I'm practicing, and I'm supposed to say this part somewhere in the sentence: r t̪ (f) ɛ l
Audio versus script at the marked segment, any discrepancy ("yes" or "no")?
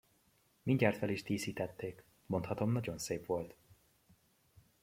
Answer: no